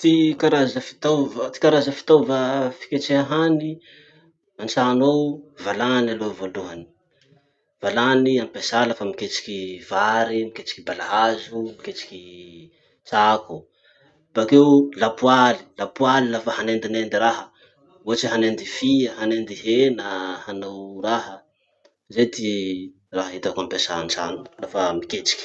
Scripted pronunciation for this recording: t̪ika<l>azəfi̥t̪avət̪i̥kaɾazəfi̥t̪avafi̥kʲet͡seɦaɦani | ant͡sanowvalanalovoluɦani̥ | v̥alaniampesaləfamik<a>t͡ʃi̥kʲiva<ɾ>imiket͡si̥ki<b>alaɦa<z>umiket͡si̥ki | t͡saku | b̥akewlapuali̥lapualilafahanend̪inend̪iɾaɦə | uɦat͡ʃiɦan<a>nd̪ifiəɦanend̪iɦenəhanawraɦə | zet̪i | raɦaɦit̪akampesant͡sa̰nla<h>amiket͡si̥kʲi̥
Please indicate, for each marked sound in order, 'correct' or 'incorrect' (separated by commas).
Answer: incorrect, incorrect, correct, correct, correct, incorrect, incorrect